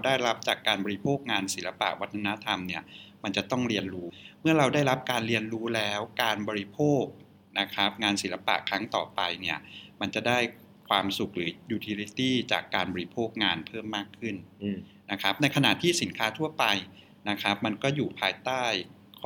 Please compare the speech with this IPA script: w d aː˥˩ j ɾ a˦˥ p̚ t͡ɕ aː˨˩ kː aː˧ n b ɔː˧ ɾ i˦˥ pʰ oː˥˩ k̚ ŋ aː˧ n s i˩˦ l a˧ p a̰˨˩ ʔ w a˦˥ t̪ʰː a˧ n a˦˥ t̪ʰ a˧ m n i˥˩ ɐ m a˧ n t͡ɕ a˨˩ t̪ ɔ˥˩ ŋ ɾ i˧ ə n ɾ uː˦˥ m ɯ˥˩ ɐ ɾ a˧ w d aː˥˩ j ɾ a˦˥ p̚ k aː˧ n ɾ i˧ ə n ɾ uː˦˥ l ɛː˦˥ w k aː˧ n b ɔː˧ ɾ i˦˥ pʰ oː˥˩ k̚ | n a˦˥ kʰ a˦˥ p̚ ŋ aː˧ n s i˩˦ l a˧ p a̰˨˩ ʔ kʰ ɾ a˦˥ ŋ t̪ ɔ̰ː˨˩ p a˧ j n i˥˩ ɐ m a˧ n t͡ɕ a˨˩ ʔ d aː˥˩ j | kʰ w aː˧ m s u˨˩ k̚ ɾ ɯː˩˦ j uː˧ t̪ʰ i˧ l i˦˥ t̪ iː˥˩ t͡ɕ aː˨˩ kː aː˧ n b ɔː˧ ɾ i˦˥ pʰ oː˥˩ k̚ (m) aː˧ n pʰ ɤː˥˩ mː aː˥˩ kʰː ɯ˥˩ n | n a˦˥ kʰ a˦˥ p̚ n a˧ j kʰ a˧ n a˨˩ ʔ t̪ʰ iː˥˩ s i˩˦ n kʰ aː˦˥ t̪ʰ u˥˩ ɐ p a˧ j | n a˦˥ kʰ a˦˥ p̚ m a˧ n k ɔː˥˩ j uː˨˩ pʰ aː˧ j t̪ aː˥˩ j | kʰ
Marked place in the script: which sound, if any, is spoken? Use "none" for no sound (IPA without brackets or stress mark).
ŋ